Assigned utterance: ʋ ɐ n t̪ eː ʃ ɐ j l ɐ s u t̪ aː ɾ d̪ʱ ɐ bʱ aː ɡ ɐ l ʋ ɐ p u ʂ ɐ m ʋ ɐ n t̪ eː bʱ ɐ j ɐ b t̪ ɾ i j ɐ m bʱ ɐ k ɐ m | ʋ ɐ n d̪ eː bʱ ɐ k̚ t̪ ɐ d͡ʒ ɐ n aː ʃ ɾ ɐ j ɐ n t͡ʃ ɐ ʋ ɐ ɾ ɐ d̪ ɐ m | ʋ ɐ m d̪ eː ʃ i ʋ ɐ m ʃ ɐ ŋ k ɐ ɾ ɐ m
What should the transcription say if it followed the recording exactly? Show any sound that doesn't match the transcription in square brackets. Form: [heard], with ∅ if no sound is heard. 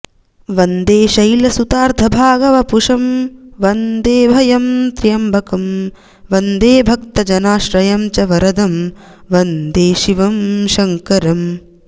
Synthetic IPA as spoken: ʋ ɐ n [d̪] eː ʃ ɐ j l ɐ s u t̪ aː ɾ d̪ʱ ɐ bʱ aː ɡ ɐ [∅] ʋ ɐ p u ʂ ɐ m ʋ ɐ n [d̪] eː bʱ ɐ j ɐ [m] t̪ ɾ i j ɐ m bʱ ɐ k ɐ m | ʋ ɐ n d̪ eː bʱ ɐ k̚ t̪ ɐ d͡ʒ ɐ n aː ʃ ɾ ɐ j ɐ [m] t͡ʃ ɐ ʋ ɐ ɾ ɐ d̪ ɐ m | ʋ ɐ [n] d̪ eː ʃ i ʋ ɐ m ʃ ɐ ŋ k ɐ ɾ ɐ m